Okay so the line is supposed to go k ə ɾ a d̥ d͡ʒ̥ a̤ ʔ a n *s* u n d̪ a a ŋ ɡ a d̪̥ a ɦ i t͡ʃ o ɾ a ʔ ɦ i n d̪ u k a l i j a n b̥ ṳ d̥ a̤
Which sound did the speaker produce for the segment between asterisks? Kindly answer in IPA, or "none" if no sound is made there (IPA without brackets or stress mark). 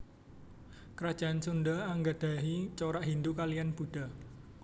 s